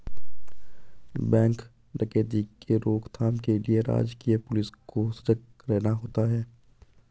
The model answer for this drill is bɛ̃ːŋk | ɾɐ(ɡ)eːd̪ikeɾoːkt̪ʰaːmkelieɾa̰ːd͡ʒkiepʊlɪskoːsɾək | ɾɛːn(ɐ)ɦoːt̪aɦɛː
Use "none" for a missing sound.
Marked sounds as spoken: k, a

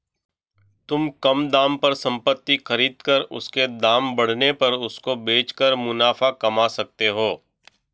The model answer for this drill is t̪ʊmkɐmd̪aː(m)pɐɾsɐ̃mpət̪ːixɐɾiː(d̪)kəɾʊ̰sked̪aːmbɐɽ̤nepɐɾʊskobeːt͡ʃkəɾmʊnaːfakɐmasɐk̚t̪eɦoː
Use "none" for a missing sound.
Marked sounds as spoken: m, d̪

